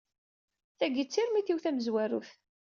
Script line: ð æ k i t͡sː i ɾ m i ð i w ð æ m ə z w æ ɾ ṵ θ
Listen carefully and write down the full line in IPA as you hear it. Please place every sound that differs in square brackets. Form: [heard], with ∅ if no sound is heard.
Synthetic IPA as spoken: [θ] æ [ɡ] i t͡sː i ɾ m i [θ] i w [θ] æ m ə z w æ ɾ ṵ θ